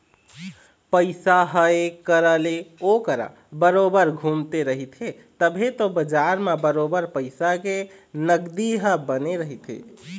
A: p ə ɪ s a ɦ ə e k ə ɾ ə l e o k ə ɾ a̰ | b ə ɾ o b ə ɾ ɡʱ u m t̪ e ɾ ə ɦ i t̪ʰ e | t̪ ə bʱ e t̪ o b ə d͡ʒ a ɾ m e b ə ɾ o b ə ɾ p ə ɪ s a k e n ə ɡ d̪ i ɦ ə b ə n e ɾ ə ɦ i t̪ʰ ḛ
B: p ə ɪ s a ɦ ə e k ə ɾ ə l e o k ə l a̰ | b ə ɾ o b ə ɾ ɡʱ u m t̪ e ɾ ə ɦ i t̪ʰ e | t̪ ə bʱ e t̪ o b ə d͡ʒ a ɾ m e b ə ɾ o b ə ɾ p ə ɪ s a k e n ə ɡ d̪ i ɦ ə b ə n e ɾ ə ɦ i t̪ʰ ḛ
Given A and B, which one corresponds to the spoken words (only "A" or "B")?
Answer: A